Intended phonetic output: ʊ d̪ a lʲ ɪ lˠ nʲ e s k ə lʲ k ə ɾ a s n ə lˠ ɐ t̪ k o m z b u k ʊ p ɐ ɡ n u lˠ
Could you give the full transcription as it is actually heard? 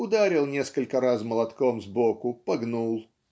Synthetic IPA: ʊ d̪ a ɾʲ ɪ lˠ nʲ e s k ə lʲ k ə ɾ a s m ə lˠ ɐ t̪ k o m z b o k ʊ p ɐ ɡ n u lˠ